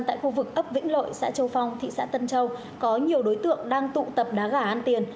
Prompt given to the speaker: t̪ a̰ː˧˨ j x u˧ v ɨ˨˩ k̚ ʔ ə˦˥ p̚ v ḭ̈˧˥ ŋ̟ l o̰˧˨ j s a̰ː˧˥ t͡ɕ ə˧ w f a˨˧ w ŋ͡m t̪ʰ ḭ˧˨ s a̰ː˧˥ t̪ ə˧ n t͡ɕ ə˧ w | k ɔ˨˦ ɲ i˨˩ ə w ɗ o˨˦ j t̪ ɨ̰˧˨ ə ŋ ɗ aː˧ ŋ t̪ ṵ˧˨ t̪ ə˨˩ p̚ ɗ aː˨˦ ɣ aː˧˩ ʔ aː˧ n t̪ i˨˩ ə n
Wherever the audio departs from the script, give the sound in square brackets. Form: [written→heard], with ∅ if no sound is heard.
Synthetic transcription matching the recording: t̪ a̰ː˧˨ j x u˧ v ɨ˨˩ k̚ ʔ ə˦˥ p̚ v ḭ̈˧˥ ŋ̟ l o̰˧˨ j s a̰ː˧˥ t͡ɕ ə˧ w f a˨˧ w ŋ͡m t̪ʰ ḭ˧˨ s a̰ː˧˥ t̪ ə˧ n t͡ɕ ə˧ w | k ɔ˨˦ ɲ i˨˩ ə w ɗ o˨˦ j t̪ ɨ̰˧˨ ə ŋ ɗ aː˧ ŋ t̪ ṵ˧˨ t̪ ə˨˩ p̚ ɗ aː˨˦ ɣ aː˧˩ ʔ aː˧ n t̪ i˨˩ ə n

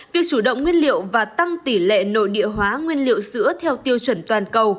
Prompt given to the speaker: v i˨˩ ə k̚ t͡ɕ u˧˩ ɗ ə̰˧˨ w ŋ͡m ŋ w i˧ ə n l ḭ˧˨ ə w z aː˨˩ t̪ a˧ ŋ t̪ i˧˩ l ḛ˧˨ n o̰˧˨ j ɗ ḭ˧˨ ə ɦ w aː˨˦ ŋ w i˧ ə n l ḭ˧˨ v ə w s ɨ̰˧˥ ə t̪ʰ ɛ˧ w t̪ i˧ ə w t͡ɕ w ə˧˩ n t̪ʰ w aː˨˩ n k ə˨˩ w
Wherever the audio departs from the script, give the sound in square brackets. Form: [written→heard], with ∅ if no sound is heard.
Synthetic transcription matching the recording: v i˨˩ ə k̚ t͡ɕ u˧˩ ɗ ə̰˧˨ w ŋ͡m ŋ w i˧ ə n l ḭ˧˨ ə w [z→v] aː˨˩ t̪ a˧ ŋ t̪ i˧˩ l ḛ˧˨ n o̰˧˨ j ɗ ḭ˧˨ ə ɦ w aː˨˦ ŋ w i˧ ə n l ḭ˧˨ [v→∅] ə w s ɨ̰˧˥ ə t̪ʰ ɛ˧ w t̪ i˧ ə w t͡ɕ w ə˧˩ n [t̪ʰ→t̪] w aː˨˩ n k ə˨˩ w

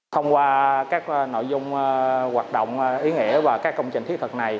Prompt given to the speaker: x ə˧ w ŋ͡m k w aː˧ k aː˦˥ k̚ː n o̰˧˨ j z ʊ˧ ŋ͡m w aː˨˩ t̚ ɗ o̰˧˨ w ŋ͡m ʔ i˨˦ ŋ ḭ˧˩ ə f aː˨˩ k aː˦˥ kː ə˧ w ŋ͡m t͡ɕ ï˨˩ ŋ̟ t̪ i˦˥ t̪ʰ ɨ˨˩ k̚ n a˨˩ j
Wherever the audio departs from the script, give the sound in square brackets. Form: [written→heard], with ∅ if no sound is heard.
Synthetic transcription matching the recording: x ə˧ w ŋ͡m k w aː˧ k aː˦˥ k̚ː n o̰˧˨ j z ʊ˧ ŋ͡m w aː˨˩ t̚ ɗ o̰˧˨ w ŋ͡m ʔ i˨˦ ŋ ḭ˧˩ ə [f→v] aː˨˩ k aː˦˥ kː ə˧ w ŋ͡m t͡ɕ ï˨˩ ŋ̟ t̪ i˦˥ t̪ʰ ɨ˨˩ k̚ n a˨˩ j

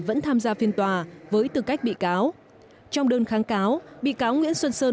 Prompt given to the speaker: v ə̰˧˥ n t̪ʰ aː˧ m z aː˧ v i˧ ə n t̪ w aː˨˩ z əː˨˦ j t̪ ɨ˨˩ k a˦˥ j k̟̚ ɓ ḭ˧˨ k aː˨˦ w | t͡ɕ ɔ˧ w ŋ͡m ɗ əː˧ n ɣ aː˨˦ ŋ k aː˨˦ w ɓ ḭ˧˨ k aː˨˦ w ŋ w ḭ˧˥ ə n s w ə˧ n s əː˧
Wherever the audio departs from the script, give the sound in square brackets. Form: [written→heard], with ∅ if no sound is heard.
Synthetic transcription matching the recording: v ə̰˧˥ n t̪ʰ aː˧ m z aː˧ [v→f] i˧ ə n t̪ w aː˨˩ [z→v] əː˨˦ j t̪ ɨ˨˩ k a˦˥ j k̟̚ ɓ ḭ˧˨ k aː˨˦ w | t͡ɕ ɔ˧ w ŋ͡m ɗ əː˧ n [ɣ→x] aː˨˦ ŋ k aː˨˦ w ɓ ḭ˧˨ k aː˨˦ w ŋ w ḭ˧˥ ə n s w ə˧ n s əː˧

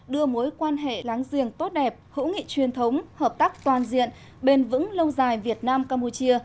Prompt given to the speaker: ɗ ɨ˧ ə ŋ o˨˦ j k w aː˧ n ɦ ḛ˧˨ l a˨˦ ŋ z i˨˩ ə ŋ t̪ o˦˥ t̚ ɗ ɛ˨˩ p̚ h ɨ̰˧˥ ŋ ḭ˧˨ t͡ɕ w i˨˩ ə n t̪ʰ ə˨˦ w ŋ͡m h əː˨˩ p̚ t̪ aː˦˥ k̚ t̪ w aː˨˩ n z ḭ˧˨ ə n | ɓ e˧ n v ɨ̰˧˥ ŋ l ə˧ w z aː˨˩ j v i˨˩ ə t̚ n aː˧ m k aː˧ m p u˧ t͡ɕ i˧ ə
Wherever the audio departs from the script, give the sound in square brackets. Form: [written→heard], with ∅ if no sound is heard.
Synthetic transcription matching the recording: ɗ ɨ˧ ə [ŋ→m] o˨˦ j k w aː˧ n ɦ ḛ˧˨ l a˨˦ ŋ z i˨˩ ə ŋ t̪ o˦˥ t̚ ɗ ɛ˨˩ p̚ h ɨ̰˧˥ ŋ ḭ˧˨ t͡ɕ w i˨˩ ə n t̪ʰ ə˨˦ w ŋ͡m h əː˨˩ p̚ t̪ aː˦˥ k̚ t̪ w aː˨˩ n z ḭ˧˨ ə n | ɓ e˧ n v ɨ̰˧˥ ŋ l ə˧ w z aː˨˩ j v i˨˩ ə t̚ n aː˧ m k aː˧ m p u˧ t͡ɕ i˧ ə

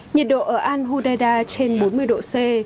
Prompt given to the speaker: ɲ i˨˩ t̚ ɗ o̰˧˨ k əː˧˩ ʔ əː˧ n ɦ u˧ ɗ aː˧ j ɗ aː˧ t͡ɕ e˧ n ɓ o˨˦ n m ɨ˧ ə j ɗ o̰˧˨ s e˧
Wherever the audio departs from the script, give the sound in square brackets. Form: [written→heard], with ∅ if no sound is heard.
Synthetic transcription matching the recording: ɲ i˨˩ t̚ ɗ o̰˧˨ [k→ʔ] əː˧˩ ʔ [əː˧→aː˧] n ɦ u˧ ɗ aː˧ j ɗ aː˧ t͡ɕ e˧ n ɓ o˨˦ n m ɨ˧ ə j ɗ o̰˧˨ s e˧

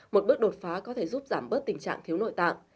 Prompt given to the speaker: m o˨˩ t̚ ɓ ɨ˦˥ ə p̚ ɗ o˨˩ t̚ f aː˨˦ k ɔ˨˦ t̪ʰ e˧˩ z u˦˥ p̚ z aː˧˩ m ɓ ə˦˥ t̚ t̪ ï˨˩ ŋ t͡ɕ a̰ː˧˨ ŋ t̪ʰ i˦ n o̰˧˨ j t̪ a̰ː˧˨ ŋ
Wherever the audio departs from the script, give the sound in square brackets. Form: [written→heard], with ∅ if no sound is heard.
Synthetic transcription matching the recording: m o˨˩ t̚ ɓ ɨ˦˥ ə [p̚→k̚] ɗ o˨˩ t̚ f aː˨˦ k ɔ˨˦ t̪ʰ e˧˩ z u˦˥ p̚ z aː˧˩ m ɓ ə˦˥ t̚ t̪ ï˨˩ ŋ t͡ɕ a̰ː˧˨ ŋ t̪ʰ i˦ n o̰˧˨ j t̪ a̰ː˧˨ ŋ

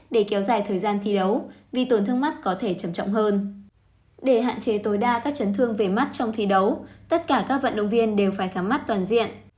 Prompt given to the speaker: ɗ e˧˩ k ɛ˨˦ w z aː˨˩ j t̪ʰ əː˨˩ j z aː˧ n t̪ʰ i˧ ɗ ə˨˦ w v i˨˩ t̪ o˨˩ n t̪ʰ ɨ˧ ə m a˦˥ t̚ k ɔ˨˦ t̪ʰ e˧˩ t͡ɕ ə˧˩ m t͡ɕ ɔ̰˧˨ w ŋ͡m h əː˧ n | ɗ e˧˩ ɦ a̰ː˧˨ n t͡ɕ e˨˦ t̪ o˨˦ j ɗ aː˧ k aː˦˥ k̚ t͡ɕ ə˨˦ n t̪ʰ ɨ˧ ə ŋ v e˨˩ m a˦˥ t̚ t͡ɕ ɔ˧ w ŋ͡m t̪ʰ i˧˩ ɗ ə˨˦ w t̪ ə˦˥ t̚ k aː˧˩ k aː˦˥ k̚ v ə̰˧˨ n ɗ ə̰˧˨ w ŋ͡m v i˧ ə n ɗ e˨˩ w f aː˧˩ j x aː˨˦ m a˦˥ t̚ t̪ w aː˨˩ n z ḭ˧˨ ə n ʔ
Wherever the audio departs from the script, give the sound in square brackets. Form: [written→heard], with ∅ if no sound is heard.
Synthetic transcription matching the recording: ɗ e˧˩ k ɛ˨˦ w z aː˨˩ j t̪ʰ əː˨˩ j z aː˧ n t̪ʰ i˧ ɗ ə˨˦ w v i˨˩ t̪ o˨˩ n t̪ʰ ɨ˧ ə m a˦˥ t̚ k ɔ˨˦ t̪ʰ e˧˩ t͡ɕ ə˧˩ m t͡ɕ ɔ̰˧˨ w ŋ͡m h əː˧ n | ɗ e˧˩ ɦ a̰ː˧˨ n t͡ɕ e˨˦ t̪ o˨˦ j ɗ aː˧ k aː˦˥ k̚ t͡ɕ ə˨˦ n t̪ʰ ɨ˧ ə ŋ v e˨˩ m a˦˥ t̚ t͡ɕ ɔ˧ w ŋ͡m t̪ʰ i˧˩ ɗ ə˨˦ w t̪ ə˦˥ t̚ k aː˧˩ k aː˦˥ k̚ v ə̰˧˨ n ɗ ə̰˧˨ w ŋ͡m v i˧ ə n ɗ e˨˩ w f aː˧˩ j x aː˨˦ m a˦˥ t̚ t̪ w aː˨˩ n z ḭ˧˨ ə n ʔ

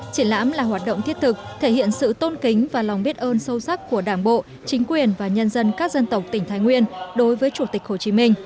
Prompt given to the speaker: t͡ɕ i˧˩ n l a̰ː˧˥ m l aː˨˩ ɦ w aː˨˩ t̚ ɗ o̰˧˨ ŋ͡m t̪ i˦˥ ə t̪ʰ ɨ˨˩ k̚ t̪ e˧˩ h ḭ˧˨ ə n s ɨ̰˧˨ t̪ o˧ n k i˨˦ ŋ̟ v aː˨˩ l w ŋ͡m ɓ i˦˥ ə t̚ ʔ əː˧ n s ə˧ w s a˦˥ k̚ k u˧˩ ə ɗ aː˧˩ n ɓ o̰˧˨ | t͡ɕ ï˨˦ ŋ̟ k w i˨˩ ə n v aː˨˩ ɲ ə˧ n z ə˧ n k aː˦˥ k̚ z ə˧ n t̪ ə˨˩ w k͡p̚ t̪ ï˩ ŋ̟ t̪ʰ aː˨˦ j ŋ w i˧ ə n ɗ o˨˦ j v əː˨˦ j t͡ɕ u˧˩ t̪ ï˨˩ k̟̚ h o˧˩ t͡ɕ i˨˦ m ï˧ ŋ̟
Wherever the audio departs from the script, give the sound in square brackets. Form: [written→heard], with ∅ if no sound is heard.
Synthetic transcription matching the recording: t͡ɕ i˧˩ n l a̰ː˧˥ m l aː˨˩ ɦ w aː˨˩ t̚ ɗ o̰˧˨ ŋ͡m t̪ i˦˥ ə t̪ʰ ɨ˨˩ k̚ [t̪→t̪ʰ] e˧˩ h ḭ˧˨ ə n s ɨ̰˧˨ t̪ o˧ n k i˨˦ ŋ̟ v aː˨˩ l w ŋ͡m ɓ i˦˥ ə t̚ ʔ əː˧ n s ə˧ w s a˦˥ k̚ k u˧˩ ə ɗ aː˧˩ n ɓ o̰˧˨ | t͡ɕ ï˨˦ ŋ̟ k w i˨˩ ə n v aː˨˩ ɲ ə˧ n z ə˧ n k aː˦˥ k̚ z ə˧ n t̪ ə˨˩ w k͡p̚ t̪ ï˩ ŋ̟ t̪ʰ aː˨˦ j ŋ w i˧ ə n ɗ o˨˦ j v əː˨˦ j t͡ɕ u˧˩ t̪ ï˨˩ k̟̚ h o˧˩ t͡ɕ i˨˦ m ï˧ ŋ̟

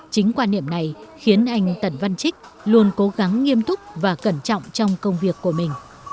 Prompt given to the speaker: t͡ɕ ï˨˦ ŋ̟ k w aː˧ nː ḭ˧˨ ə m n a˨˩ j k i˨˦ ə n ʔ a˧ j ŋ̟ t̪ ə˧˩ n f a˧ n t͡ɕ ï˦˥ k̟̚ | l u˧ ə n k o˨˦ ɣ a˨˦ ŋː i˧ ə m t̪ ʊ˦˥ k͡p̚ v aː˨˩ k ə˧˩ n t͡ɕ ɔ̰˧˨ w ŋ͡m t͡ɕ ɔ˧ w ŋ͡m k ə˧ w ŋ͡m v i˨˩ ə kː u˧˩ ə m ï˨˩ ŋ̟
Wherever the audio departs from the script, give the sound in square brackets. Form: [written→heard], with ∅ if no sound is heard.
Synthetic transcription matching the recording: t͡ɕ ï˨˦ ŋ̟ k w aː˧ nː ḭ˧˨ ə m n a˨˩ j [k→x] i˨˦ ə n ʔ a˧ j ŋ̟ t̪ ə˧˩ n [f→v] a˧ n t͡ɕ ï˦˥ k̟̚ | l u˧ ə n k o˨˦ ɣ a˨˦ ŋː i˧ ə m t̪ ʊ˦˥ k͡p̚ v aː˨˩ k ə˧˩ n t͡ɕ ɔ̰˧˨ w ŋ͡m t͡ɕ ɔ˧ w ŋ͡m k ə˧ w ŋ͡m v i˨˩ ə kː u˧˩ ə m ï˨˩ ŋ̟

